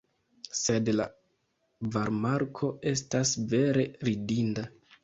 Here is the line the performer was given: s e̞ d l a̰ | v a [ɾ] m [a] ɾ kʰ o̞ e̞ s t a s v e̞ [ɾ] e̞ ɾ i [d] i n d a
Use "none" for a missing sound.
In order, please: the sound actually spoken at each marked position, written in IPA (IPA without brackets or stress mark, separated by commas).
ɾ, a, ɾ, d